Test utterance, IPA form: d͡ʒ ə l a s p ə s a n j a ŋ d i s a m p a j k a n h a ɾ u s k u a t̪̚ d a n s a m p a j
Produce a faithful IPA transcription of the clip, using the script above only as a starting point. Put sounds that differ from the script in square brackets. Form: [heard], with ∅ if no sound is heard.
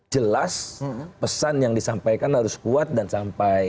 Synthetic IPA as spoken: d͡ʒ ə l a s p ə s a n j a ŋ d i s a m p a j k a n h a ɾ [ʊ] s k u a t̪̚ d a n s a m p a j